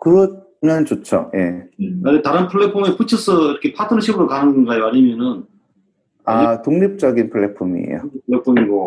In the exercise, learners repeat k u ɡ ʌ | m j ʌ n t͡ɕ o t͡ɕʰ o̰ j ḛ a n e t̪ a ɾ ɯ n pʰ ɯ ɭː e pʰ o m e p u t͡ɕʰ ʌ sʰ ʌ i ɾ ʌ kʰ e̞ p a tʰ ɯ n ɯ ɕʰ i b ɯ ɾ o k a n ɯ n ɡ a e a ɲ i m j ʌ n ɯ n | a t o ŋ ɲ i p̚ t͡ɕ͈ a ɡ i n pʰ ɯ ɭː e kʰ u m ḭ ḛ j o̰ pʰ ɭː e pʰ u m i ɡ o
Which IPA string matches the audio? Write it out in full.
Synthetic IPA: k ɯ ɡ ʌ | m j ʌ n t͡ɕ o t͡ɕʰ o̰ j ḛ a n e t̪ a ɾ ɯ n pʰ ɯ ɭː e pʰ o m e p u t͡ɕʰ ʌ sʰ ʌ i ɾ ʌ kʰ e̞ pʰ a tʰ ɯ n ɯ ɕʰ i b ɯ ɾ o k a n ɯ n ɡ a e a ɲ i m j ʌ n ɯ n | a t o ŋ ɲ i p̚ t͡ɕ͈ ʌ ɡ i n pʰ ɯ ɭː e pʰ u m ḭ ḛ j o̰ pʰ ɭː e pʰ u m i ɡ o